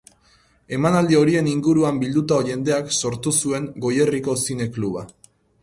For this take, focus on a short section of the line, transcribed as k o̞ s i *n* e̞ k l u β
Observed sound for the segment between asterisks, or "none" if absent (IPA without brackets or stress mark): n